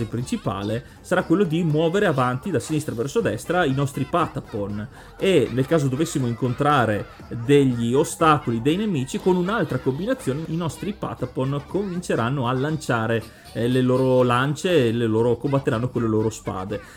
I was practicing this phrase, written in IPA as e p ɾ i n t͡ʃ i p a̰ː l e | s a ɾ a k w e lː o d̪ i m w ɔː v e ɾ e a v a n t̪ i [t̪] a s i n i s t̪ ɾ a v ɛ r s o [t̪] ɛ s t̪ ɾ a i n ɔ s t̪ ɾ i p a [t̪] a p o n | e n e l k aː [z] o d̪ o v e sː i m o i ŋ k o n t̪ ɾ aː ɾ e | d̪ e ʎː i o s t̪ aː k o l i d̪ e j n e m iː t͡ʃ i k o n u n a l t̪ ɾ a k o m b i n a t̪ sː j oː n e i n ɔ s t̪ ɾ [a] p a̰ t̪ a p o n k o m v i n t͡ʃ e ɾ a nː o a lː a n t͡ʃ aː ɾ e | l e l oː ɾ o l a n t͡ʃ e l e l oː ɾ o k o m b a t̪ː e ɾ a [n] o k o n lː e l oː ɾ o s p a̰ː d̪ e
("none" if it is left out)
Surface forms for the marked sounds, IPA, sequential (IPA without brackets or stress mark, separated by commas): d̪, d̪, t̪, z, i, nː